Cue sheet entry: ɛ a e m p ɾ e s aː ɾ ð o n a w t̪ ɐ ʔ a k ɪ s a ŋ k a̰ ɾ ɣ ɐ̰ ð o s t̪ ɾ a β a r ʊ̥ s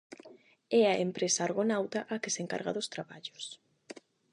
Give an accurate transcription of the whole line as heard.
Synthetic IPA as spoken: ɛ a e m p ɾ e s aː ɾ ɣ o n a w t̪ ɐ ʔ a k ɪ s e ŋ k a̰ ɾ ɣ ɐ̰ ð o s t̪ ɾ a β a ʎ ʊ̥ s